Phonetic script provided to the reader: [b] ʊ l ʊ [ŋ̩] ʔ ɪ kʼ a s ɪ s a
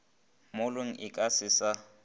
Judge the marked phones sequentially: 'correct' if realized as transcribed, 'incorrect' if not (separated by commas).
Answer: incorrect, correct